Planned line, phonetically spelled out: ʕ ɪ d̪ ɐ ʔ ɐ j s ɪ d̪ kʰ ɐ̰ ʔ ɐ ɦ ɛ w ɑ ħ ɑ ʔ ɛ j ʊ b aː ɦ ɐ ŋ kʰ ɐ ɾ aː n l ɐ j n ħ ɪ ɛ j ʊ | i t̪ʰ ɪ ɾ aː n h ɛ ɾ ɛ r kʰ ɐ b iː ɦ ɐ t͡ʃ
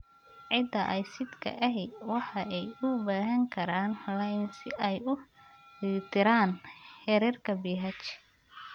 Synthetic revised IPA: ʕ ɪ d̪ ɐ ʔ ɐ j s ɪ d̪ kʰ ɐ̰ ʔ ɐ ɦ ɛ w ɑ ħ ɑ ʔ ɛ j ʊ b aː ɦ ɐ ŋ kʰ ɐ ɾ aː n l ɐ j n s ɪ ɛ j ʊ | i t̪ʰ ɪ ɾ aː n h ɛ ɾ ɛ r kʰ ɐ b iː ɦ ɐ t͡ʃ